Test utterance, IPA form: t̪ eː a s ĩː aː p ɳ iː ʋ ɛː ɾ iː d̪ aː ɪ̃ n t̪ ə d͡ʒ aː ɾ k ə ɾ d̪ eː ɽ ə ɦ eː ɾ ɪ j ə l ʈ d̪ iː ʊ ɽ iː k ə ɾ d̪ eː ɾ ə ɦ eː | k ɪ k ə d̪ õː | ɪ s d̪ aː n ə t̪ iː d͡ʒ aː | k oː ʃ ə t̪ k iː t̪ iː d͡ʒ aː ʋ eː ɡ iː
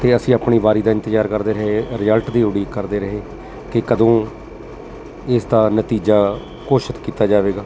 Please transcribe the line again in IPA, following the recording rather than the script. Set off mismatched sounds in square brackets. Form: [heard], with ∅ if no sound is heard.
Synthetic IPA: t̪ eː [ə] s ĩː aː p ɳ iː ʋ [aː] ɾ iː d̪ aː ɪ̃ n t̪ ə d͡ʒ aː ɾ k ə ɾ d̪ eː [ɾ] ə ɦ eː ɾ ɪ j ə l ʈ d̪ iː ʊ ɽ iː k ə ɾ d̪ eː ɾ ə ɦ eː | k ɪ k ə d̪ õː | ɪ s d̪ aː n ə t̪ iː d͡ʒ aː | k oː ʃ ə t̪ k iː t̪ [aː] d͡ʒ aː ʋ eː ɡ [aː]